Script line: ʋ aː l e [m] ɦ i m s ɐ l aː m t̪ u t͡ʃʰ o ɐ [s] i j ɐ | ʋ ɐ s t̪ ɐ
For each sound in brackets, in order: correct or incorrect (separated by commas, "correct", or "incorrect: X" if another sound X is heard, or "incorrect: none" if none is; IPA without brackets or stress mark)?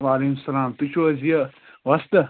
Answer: incorrect: none, incorrect: z